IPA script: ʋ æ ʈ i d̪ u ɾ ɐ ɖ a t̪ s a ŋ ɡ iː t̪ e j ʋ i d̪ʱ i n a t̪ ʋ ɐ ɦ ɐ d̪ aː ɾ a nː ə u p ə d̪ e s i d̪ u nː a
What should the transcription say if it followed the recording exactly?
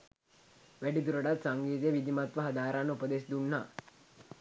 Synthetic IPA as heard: ʋ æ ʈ i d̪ u ɾ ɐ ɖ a t̪ s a ŋ ɡ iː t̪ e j ʋ i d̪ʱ i m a t̪ ʋ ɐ ɦ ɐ d̪ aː ɾ a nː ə u p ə d̪ e s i d̪ u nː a